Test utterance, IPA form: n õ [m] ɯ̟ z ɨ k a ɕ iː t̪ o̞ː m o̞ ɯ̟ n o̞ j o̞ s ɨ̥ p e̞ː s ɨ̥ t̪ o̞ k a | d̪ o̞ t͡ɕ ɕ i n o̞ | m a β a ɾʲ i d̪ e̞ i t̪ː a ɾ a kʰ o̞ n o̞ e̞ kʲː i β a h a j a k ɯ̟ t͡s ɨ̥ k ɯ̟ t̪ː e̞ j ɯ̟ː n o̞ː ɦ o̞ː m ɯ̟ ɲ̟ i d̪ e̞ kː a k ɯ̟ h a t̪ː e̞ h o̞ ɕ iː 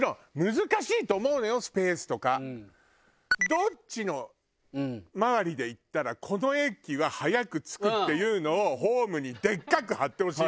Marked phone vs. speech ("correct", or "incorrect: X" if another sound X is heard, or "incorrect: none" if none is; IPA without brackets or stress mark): correct